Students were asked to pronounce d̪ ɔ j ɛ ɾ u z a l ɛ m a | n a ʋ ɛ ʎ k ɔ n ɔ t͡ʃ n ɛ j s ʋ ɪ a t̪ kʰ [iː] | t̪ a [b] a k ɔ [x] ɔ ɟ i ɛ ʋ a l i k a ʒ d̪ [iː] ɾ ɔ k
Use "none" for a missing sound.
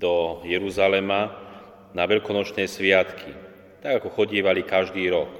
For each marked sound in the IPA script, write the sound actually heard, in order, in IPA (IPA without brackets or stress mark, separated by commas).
i, ɡ, x, iː